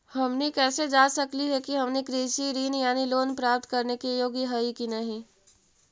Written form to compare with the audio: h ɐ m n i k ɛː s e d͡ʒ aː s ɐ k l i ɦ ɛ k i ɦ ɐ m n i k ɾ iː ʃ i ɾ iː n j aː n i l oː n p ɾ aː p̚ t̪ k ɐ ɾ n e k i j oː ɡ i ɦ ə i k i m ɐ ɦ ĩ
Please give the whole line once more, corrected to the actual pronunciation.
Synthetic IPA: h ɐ m n i k ɛː s e d͡ʒ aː s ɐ k l i ɦ ɛ k i ɦ ɐ m n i k ɾ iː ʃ i ɾ iː n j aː n i l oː n p ɾ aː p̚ t̪ k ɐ ɾ n e k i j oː ɡ i ɦ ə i k i n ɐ ɦ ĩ